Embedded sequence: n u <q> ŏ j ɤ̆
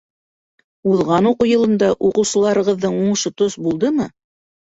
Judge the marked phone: correct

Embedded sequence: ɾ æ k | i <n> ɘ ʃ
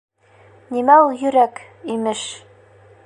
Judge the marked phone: incorrect: m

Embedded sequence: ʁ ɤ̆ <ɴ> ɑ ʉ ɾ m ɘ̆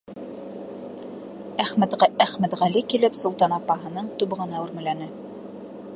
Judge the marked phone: incorrect: n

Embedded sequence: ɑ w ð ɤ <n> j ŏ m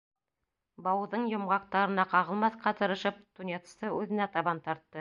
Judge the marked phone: incorrect: ɴ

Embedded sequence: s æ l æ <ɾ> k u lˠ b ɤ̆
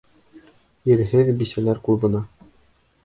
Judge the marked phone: correct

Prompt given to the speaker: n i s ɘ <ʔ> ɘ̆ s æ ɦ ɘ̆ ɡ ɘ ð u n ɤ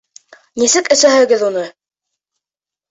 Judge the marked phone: incorrect: k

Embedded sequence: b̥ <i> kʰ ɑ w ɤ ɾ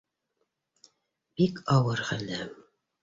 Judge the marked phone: correct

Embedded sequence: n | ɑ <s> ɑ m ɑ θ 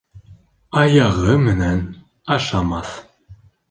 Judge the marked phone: incorrect: ʃ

